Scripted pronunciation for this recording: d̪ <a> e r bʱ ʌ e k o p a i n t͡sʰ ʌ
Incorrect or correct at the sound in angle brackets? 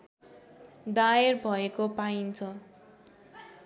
correct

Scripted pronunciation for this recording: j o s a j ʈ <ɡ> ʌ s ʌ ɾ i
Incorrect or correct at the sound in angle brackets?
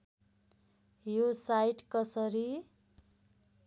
incorrect: k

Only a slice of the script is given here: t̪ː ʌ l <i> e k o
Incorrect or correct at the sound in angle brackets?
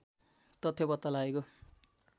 incorrect: a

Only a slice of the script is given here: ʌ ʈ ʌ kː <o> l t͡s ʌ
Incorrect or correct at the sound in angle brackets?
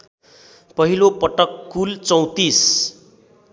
incorrect: u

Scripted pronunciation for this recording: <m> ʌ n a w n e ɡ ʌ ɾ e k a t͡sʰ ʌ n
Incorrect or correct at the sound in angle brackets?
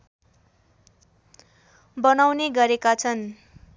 incorrect: b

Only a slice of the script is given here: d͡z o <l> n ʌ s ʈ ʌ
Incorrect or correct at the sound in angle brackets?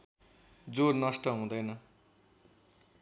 incorrect: r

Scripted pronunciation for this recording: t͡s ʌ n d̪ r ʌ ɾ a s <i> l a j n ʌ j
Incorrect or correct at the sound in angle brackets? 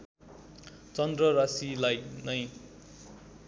correct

